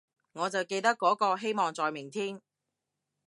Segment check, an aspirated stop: present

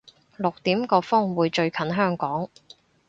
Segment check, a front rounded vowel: present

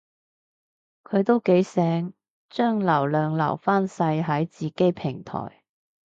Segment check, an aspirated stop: present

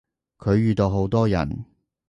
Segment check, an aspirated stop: present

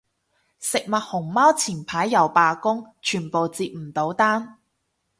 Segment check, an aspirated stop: present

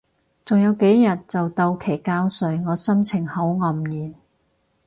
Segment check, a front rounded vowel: absent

